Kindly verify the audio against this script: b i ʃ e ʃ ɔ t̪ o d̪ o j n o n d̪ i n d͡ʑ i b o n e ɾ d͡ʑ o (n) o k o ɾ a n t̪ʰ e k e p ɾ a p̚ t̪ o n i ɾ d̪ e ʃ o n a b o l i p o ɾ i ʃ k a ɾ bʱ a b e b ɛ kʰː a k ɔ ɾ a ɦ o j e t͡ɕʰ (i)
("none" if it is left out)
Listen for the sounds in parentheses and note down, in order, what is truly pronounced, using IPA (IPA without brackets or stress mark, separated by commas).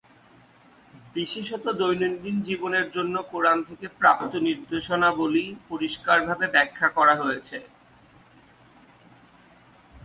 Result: nː, e